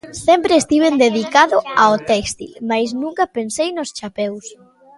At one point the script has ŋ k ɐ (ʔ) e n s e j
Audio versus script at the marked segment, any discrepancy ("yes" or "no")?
yes